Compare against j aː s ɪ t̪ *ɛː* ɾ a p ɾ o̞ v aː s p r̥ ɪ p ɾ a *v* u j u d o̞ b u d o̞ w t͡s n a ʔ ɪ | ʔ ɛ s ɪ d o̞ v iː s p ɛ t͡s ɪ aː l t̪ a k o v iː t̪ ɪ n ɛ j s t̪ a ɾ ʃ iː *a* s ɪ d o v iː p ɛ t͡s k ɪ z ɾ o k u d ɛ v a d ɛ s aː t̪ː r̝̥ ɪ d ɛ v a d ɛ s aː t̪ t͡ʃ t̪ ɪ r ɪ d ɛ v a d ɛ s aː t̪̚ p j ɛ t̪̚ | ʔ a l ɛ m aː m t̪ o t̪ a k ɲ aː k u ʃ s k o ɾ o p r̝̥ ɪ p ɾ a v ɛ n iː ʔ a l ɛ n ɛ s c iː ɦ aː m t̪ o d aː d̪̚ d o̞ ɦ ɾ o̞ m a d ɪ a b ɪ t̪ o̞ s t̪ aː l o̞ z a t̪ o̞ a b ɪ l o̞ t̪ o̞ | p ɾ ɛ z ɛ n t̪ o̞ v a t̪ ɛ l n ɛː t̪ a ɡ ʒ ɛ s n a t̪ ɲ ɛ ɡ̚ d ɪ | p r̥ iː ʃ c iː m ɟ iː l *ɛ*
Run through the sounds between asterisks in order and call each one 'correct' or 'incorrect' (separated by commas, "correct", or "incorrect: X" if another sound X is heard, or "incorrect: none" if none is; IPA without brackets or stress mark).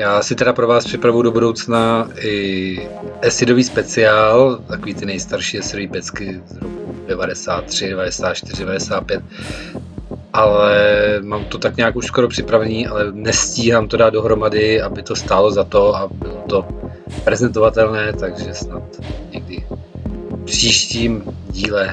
incorrect: ɛ, correct, incorrect: ɛ, correct